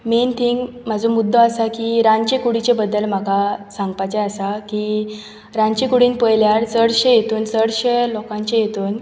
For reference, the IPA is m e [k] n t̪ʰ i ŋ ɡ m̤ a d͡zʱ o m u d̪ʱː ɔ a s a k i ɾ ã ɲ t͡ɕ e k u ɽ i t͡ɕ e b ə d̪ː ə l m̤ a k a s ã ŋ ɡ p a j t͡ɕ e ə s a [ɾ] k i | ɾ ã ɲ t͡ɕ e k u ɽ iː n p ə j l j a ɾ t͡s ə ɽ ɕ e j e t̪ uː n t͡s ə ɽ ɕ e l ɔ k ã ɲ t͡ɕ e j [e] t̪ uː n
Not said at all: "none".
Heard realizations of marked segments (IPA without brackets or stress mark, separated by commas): none, none, e